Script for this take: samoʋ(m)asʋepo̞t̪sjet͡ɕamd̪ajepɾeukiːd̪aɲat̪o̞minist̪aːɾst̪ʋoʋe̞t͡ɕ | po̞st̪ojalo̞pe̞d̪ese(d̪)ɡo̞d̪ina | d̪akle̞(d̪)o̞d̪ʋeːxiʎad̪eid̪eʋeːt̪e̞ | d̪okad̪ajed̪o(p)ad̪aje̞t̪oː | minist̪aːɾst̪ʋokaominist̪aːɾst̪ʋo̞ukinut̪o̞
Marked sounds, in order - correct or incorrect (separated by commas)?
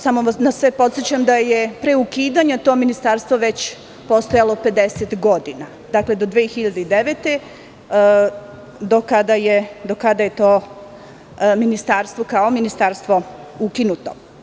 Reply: incorrect, incorrect, correct, incorrect